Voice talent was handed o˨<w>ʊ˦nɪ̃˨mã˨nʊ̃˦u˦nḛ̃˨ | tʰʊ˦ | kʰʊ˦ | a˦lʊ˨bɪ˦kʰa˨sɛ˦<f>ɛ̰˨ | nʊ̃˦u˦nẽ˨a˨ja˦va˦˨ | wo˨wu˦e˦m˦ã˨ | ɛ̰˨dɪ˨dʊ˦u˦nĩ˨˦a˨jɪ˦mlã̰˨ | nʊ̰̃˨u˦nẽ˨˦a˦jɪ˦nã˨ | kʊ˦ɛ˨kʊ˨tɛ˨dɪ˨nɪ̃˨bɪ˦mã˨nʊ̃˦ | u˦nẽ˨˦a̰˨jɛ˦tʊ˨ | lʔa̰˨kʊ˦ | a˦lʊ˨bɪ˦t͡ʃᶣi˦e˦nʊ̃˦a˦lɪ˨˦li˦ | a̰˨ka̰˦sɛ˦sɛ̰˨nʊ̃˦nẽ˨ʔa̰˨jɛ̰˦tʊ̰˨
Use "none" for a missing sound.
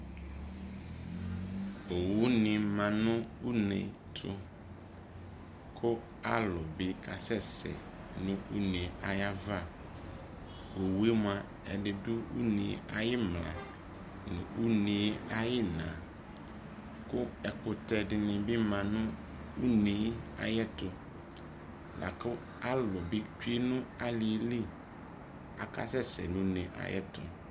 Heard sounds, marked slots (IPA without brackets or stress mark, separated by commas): w, s